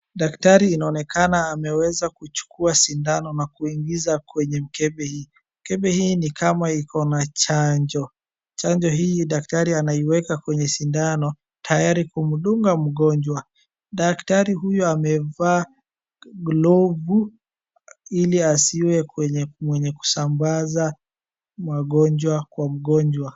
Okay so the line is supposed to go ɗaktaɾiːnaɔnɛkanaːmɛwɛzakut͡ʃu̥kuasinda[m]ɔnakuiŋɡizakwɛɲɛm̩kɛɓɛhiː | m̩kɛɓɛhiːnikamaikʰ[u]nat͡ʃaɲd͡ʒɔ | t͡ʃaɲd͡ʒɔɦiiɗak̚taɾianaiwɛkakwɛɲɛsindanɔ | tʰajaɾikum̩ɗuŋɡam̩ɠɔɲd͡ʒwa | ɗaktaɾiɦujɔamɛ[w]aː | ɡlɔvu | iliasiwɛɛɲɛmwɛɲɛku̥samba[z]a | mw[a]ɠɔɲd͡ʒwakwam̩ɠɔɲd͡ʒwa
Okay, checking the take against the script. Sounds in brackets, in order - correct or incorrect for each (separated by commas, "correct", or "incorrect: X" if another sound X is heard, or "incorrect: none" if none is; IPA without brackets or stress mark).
incorrect: n, incorrect: ɔ, incorrect: v, correct, correct